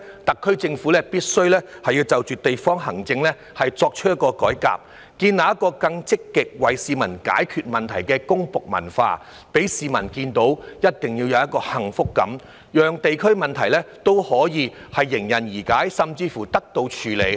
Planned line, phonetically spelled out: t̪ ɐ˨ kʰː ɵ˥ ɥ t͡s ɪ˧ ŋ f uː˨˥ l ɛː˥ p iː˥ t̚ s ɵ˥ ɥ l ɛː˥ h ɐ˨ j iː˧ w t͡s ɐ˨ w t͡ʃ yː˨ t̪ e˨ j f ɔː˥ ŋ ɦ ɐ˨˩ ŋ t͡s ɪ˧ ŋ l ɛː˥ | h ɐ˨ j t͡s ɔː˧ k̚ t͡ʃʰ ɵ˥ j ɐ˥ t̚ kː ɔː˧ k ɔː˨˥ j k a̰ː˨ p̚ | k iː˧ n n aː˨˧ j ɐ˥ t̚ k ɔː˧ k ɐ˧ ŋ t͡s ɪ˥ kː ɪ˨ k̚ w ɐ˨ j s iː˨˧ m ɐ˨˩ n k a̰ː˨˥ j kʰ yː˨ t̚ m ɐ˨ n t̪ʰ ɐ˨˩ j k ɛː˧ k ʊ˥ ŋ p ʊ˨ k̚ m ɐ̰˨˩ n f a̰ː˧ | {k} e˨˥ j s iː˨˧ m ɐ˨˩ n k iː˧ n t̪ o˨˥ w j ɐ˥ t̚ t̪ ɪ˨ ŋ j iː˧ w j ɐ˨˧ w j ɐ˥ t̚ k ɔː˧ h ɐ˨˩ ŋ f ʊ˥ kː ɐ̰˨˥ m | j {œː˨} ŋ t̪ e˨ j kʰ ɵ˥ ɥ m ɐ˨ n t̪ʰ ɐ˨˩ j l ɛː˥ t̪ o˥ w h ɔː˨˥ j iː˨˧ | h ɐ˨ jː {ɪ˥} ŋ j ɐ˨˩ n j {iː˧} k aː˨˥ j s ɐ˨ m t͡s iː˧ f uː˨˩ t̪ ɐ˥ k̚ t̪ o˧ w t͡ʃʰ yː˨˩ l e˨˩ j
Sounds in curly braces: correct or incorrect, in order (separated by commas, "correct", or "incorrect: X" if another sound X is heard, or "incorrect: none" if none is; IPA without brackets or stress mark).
incorrect: p, correct, incorrect: ɪ˨˩, incorrect: iː˨˩